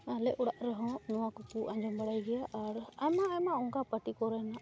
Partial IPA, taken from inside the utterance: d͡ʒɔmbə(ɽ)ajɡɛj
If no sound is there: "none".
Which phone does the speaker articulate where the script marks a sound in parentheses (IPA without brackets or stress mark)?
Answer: ɽ